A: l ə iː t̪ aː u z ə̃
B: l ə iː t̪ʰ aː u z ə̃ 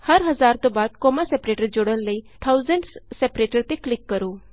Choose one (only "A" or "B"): B